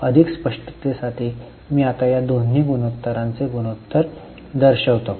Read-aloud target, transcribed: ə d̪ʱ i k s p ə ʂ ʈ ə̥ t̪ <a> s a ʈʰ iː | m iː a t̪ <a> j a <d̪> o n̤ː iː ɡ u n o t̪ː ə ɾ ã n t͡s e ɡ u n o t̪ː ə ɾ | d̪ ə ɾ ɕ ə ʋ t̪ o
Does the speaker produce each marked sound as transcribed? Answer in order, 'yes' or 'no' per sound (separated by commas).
no, yes, yes